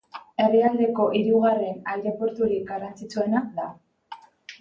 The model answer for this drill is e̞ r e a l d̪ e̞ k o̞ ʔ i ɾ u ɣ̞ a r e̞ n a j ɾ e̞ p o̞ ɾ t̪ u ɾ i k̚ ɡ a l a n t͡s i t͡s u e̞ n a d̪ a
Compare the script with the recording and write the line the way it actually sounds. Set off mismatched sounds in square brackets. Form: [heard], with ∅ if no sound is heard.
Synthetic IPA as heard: e̞ r e a l d̪ e̞ k o̞ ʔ i ɾ u ɣ̞ a r e̞ n a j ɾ e̞ p o̞ ɾ t̪ u ɾ i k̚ ɡ a [r] a n t͡s i t͡s u e̞ n a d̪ a